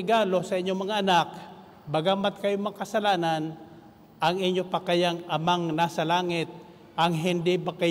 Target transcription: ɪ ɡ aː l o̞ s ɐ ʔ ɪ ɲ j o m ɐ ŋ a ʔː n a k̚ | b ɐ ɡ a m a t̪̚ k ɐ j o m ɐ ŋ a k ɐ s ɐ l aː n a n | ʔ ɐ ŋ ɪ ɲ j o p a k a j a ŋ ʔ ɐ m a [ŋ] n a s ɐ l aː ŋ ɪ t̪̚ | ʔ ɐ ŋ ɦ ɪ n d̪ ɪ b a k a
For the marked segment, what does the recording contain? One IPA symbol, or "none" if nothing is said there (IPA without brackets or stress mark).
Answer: ŋ